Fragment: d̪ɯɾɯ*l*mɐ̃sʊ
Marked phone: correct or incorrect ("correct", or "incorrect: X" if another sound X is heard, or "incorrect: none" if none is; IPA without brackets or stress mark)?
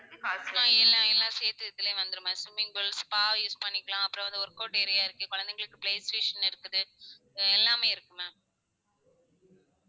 incorrect: none